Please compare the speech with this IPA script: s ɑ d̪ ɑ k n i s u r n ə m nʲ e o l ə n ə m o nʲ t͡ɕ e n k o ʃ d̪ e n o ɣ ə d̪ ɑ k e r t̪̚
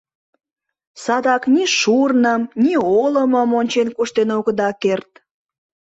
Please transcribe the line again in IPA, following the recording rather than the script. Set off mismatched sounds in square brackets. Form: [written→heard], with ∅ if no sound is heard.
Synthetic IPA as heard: s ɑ d̪ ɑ k n i [s→ʃ] u r n ə m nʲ [e→i] o l ə [n→m] ə m o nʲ t͡ɕ e n k [o→u] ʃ [d̪→t̪] e n o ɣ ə d̪ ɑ k e r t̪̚